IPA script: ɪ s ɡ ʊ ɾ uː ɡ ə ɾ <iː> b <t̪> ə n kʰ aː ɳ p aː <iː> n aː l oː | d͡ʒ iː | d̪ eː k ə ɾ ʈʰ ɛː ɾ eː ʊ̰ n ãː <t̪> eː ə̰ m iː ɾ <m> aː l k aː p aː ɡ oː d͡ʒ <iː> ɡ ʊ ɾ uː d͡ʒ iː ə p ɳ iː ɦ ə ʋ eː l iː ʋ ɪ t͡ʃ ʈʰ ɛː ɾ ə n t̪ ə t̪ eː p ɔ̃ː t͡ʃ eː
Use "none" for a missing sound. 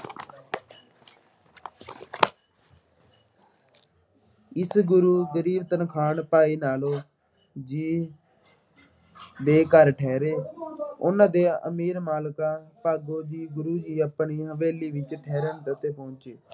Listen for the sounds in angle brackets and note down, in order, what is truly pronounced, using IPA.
iː, t̪, iː, d̪, m, iː

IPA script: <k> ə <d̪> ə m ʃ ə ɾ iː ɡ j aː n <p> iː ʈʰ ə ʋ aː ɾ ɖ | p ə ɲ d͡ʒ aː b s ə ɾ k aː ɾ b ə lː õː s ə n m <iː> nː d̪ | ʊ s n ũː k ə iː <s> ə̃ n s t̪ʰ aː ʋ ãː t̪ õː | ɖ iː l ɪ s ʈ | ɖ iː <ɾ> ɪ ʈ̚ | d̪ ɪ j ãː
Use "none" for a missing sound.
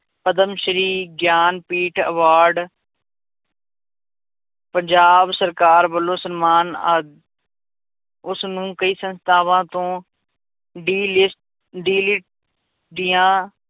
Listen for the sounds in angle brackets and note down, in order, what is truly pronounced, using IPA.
p, d̪, p, aː, s, l

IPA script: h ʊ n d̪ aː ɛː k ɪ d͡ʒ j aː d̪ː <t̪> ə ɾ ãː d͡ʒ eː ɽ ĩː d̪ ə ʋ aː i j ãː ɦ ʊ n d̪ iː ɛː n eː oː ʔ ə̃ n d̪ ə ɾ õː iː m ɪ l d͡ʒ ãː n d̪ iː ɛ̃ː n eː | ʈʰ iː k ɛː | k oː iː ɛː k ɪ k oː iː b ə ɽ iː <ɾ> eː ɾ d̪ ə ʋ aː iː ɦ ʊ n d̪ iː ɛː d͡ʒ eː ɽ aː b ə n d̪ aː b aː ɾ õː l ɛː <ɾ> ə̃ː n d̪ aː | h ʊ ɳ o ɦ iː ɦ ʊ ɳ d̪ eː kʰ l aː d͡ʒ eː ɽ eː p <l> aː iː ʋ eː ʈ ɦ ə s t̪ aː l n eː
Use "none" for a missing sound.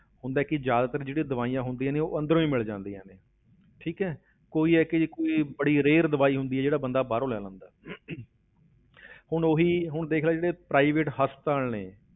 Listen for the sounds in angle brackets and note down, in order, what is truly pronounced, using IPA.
t̪, ɾ, l, ɾ

